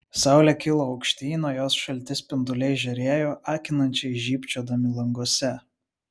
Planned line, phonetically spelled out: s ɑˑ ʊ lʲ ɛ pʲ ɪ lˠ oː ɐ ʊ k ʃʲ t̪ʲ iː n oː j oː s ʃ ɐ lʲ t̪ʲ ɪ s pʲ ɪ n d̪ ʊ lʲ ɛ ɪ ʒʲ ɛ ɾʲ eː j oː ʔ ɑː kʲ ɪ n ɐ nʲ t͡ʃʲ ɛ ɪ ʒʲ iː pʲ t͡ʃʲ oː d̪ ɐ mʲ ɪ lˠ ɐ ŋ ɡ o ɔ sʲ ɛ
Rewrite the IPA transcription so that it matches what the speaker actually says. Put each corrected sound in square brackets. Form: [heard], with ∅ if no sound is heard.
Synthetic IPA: s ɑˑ ʊ lʲ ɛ [kʲ] ɪ lˠ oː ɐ ʊ k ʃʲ t̪ʲ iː n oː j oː s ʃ ɐ lʲ t̪ʲ ɪ s pʲ ɪ n d̪ ʊ lʲ ɛ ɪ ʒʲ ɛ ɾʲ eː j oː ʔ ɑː kʲ ɪ n ɐ nʲ t͡ʃʲ ɛ ɪ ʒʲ iː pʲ t͡ʃʲ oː d̪ ɐ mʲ ɪ lˠ ɐ ŋ ɡ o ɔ sʲ ɛ